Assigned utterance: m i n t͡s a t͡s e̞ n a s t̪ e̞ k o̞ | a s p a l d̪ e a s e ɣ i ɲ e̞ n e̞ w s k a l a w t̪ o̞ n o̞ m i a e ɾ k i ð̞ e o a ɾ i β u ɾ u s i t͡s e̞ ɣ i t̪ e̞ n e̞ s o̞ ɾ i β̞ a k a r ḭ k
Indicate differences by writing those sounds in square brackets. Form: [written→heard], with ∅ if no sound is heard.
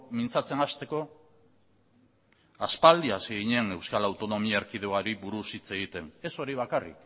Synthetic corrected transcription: m i n t͡s a t͡s e̞ n a s t̪ e̞ k o̞ | a s p a l d̪ [e→i] a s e ɣ i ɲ e̞ n e̞ w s k a l a w t̪ o̞ n o̞ m i a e ɾ k i ð̞ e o a ɾ i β u ɾ u s i t͡s e̞ ɣ i t̪ e̞ n e̞ s o̞ ɾ i β̞ a k a r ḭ k

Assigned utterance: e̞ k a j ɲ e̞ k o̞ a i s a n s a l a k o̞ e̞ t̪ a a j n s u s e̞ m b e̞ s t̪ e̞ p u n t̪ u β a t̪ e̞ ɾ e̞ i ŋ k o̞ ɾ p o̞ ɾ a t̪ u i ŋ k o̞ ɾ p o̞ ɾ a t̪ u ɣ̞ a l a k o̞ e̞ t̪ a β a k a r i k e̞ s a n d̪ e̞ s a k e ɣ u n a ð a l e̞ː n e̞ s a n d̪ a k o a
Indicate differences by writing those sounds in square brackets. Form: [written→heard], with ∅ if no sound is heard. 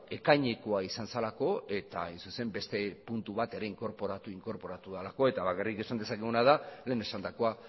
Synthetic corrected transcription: e̞ k a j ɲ e̞ k o̞ a i s a n s a l a k o̞ e̞ t̪ a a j n s u s e̞ m b e̞ s t̪ e̞ p u n t̪ u β a t̪ e̞ ɾ e̞ i ŋ k o̞ ɾ p o̞ ɾ a t̪ u i ŋ k o̞ ɾ p o̞ ɾ a t̪ u [ɣ̞→ð̞] a l a k o̞ e̞ t̪ a β a k a r i k e̞ s a n d̪ e̞ s a k e ɣ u n a ð a l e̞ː n e̞ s a n d̪ a k o a

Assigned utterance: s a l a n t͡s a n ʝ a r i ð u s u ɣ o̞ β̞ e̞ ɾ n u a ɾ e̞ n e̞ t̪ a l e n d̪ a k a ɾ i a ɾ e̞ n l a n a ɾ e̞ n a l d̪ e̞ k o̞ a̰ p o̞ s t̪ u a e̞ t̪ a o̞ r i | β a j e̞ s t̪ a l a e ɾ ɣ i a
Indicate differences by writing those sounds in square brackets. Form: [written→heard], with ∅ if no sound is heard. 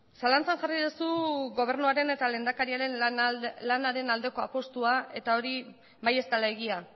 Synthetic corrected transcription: s a l a n t͡s a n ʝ a r i ð u s u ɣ o̞ β̞ e̞ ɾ n u a ɾ e̞ n e̞ t̪ a l e n d̪ a k a ɾ i a ɾ e̞ n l a n a ɾ e̞ n a l d̪ e̞ k o̞ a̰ p o̞ s t̪ u a e̞ t̪ a o̞ [r→ɾ] i | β a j e̞ s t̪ a l a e [ɾ→∅] ɣ i a

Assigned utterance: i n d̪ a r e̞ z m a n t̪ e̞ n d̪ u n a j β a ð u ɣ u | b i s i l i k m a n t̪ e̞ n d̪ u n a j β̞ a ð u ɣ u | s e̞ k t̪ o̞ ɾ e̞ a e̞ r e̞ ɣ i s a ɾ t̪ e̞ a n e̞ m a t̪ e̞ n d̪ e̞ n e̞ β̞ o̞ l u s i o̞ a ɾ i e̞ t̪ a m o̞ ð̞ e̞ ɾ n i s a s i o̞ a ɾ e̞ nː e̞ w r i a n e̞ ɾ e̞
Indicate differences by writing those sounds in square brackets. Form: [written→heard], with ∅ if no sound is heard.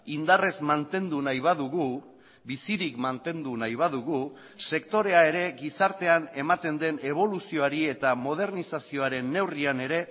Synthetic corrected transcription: i n d̪ a r e̞ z m a n t̪ e̞ n d̪ u n a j β a ð u ɣ u | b i s i [l→ɾ] i k m a n t̪ e̞ n d̪ u n a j β̞ a ð u ɣ u | s e̞ k t̪ o̞ ɾ e̞ a e̞ [r→ɾ] e̞ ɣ i s a ɾ t̪ e̞ a n e̞ m a t̪ e̞ n d̪ e̞ n e̞ β̞ o̞ l u s i o̞ a ɾ i e̞ t̪ a m o̞ ð̞ e̞ ɾ n i s a s i o̞ a ɾ e̞ nː e̞ w r i a n e̞ ɾ e̞

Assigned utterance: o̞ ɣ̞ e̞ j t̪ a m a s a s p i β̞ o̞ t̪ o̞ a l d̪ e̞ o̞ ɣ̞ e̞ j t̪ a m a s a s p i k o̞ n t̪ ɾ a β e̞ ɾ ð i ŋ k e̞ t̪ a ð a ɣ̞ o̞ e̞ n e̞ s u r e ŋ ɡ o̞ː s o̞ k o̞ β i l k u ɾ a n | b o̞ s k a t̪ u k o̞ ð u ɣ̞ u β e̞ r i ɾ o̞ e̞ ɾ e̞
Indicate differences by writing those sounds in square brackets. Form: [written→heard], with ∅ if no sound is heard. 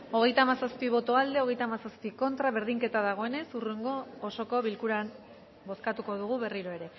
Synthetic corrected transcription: o̞ ɣ̞ e̞ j t̪ a m a s a s p i β̞ o̞ t̪ o̞ a l d̪ e̞ o̞ ɣ̞ e̞ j t̪ a m a s a s p i k o̞ n t̪ ɾ a β e̞ ɾ ð i ŋ k e̞ t̪ a ð a ɣ̞ o̞ e̞ n e̞ s u r e ŋ ɡ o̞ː s o̞ k o̞ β i l k u ɾ a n | b o̞ s k a t̪ u k o̞ ð u ɣ̞ u β e̞ r i ɾ o̞ e̞ ɾ e̞

